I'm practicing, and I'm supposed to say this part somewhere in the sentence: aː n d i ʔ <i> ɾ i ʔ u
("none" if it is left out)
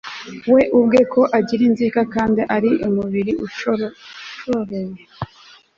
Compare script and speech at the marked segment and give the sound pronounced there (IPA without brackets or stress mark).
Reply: a